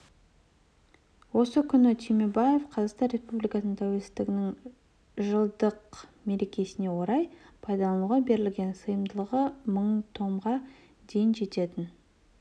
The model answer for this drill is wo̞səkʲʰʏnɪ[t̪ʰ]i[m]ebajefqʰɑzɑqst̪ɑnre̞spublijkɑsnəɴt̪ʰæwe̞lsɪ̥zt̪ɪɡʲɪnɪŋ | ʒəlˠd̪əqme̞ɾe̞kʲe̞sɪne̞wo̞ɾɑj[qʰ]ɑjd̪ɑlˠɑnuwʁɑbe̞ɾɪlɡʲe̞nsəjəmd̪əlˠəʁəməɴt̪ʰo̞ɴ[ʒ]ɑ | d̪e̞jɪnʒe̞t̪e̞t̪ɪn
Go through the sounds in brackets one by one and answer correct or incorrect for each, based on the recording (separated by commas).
correct, correct, incorrect, incorrect